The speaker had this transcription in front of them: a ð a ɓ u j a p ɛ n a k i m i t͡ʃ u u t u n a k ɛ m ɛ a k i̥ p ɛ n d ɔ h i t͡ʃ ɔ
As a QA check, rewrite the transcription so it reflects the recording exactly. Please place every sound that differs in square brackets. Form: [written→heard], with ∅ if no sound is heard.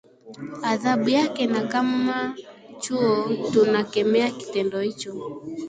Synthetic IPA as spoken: a ð a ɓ u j a [p→k] ɛ n a k [i→a] m [i→a] t͡ʃ u [u→ɔ] t u n a k ɛ m ɛ a k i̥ [p→t] ɛ n d ɔ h i t͡ʃ ɔ